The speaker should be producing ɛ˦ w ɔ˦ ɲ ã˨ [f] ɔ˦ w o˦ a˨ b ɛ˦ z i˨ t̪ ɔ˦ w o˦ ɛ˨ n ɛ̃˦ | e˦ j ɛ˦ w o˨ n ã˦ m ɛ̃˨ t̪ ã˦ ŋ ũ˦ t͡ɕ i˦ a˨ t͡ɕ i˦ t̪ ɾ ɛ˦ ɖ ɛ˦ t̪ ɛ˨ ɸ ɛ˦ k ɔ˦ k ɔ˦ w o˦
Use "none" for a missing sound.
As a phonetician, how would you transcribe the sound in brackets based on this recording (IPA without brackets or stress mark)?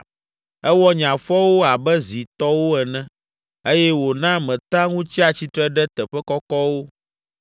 f